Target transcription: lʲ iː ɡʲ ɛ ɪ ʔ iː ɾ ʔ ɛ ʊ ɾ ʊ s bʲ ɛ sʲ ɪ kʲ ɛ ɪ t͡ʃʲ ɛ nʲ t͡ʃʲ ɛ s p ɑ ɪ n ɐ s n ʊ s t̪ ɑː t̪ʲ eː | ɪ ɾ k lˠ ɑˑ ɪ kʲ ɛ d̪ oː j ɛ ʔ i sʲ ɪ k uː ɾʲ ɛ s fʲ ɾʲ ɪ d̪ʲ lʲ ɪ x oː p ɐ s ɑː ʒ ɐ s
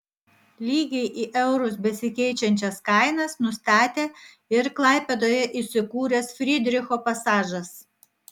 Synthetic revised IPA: lʲ iː ɡʲ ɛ ɪ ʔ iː ʔ ɛ ʊ ɾ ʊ s bʲ ɛ sʲ ɪ kʲ ɛ ɪ t͡ʃʲ ɛ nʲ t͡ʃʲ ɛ s k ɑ ɪ n ɐ s n ʊ s t̪ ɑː t̪ʲ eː | ɪ ɾ k lˠ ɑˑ ɪ pʲ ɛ d̪ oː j ɛ ʔ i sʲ ɪ k uː ɾʲ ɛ s fʲ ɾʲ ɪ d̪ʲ ɾʲ ɪ x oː p ɐ s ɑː ʒ ɐ s